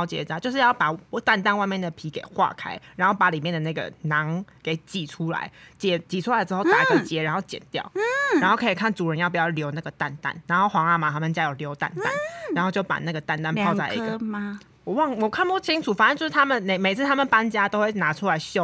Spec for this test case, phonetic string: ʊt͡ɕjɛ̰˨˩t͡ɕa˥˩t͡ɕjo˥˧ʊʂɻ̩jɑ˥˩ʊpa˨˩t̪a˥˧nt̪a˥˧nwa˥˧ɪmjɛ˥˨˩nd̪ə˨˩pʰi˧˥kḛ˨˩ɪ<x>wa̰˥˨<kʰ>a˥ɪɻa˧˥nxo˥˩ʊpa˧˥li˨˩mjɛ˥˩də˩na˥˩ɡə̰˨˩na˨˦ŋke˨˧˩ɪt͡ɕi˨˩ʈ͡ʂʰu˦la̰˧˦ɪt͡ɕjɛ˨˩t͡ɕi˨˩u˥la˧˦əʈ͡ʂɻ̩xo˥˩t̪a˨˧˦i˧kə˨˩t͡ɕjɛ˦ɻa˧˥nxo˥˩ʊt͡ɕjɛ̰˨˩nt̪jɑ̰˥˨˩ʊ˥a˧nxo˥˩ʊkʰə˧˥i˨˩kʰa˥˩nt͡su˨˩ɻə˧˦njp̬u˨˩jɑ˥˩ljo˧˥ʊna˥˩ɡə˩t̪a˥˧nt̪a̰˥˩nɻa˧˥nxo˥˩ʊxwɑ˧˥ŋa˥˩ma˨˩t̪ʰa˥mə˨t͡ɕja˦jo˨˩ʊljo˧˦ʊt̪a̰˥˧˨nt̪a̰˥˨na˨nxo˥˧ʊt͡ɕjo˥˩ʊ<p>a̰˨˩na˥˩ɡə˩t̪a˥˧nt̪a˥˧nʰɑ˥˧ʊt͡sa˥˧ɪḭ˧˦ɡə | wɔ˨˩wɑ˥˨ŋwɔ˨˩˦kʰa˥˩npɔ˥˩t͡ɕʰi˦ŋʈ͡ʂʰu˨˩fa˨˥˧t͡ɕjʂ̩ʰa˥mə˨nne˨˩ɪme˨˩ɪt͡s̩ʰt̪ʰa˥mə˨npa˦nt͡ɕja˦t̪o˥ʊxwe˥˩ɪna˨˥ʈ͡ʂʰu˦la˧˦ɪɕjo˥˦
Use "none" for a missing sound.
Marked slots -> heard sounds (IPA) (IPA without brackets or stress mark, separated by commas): x, kʰ, p